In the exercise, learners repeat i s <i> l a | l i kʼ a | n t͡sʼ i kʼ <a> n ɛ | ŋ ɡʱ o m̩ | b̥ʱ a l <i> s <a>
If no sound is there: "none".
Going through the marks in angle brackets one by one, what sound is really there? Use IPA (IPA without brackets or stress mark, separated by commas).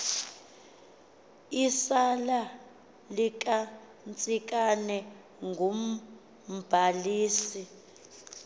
a, a, iː, i